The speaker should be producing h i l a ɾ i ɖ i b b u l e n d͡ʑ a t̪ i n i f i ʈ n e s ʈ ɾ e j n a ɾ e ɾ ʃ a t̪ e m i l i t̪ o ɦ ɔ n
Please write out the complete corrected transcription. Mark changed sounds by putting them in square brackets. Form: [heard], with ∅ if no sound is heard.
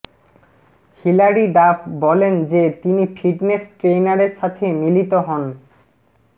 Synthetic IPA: h i l a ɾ i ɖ [a] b b [ɔ] l e n d͡ʑ [e] t̪ i n i f i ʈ n e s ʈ ɾ e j n a ɾ e ɾ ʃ a [t̪ʰ] e m i l i t̪ o ɦ ɔ n